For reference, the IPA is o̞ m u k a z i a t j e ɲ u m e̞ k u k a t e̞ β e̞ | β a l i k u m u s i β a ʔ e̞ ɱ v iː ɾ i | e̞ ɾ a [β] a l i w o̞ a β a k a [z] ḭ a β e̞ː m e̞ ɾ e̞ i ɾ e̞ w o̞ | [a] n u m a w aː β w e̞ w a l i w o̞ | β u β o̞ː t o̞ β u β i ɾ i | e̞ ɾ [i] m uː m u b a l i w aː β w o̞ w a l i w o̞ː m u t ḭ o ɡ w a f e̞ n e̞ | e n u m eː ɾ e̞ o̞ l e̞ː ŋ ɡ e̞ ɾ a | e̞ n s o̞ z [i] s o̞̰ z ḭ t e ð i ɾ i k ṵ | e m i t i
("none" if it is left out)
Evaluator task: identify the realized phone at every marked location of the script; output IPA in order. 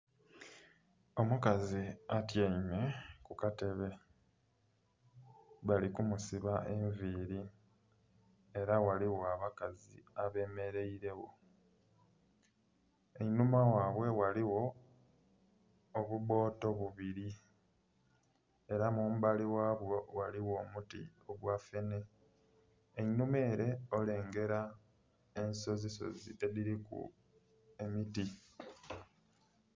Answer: w, z, e, a, i

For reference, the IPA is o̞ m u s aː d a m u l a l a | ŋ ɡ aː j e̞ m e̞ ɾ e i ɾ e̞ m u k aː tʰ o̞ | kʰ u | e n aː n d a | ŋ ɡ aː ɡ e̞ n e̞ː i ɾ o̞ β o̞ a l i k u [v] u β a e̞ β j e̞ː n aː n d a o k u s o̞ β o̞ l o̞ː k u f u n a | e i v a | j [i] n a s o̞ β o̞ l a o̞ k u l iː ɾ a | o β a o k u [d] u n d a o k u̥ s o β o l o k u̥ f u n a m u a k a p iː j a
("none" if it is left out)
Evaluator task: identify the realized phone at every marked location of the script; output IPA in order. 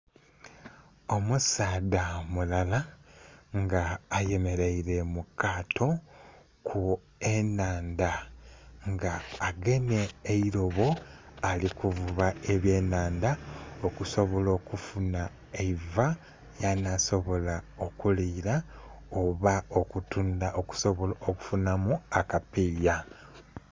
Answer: v, a, t

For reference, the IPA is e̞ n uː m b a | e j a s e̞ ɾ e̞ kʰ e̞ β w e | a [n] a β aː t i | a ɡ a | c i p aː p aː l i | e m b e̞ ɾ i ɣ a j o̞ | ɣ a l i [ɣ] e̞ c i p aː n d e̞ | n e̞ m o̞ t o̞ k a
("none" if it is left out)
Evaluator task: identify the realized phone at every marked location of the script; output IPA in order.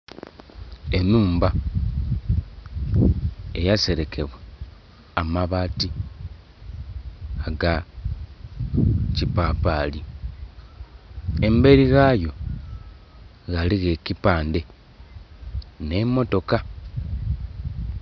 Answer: m, ɣ

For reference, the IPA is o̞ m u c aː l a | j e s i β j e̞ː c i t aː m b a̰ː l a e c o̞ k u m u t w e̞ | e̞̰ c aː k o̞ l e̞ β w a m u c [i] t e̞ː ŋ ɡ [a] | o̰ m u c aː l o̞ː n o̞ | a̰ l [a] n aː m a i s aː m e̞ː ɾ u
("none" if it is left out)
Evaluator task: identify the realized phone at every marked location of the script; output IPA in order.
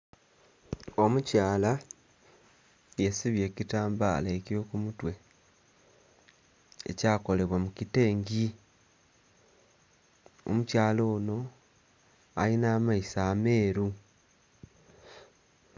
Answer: i, i, i

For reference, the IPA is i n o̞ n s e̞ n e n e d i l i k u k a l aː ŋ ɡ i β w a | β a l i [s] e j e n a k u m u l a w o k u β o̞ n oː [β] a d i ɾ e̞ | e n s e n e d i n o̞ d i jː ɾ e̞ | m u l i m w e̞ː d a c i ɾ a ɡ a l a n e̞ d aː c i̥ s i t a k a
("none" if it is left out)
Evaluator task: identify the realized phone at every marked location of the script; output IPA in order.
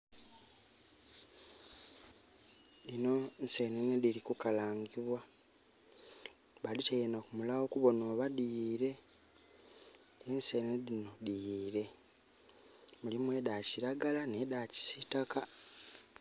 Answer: t, β

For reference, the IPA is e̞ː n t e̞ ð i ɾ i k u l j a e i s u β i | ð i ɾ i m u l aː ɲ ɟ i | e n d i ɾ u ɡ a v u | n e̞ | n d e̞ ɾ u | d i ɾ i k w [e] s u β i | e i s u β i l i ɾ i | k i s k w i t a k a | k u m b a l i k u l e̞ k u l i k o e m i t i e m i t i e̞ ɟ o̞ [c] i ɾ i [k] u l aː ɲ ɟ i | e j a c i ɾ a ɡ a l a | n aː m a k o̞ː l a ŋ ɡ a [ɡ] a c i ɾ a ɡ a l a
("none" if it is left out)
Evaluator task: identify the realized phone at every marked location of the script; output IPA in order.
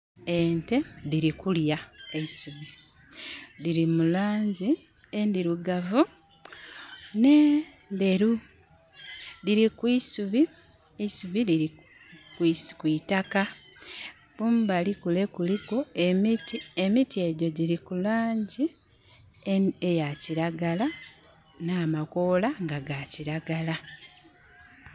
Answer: i, ɟ, k, ɡ

